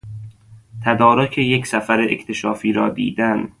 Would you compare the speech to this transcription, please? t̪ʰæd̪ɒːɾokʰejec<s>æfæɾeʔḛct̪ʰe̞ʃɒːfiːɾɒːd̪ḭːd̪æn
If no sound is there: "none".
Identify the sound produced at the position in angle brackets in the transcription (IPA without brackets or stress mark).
s